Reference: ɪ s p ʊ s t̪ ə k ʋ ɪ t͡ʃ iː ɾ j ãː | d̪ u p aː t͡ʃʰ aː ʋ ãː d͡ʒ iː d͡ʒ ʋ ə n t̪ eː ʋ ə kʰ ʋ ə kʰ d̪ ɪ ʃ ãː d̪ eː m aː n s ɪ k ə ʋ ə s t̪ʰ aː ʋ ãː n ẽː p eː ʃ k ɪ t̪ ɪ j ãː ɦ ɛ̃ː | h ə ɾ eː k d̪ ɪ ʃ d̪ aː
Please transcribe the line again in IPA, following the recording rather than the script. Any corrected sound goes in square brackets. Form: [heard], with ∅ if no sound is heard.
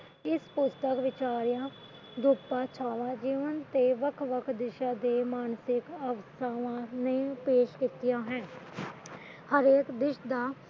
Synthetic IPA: ɪ s p ʊ s t̪ ə k ʋ ɪ t͡ʃ [aː] ɾ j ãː | d̪ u p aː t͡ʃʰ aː ʋ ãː d͡ʒ iː [∅] ʋ ə n t̪ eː ʋ ə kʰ ʋ ə kʰ d̪ ɪ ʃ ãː d̪ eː m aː n s ɪ k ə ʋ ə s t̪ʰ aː ʋ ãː n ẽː p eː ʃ k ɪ t̪ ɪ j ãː ɦ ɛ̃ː | h ə ɾ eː k d̪ ɪ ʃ d̪ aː